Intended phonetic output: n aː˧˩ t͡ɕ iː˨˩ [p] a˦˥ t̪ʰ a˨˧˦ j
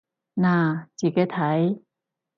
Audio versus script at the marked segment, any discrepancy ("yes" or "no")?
yes